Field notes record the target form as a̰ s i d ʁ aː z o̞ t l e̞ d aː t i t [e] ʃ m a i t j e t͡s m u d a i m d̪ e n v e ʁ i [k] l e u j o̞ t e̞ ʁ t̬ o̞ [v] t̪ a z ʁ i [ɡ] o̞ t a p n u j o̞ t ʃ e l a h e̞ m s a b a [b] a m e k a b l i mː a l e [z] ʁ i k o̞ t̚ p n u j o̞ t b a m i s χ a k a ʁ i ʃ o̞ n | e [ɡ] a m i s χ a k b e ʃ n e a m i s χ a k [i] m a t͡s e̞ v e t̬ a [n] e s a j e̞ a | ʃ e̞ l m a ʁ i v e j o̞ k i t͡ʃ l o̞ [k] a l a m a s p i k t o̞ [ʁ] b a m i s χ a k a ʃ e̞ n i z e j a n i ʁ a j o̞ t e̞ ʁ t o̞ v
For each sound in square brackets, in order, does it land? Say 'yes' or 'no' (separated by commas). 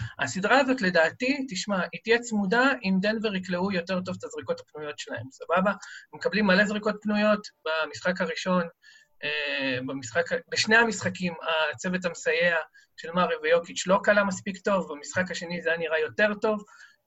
no, yes, yes, no, yes, yes, no, yes, no, yes, no